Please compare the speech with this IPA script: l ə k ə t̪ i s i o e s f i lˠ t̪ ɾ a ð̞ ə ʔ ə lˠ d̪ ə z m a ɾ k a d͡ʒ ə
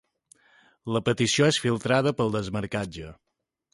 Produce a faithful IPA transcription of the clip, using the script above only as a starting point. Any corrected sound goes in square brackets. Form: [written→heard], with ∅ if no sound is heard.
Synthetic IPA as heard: l ə [k→p] ə t̪ i s i o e s f i lˠ t̪ ɾ a ð̞ ə [ʔ→p] ə lˠ d̪ ə z m [a→ə] ɾ k a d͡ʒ ə